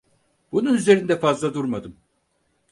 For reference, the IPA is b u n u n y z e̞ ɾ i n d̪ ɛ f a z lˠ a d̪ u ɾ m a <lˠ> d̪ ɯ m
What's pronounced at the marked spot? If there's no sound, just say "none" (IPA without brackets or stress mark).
none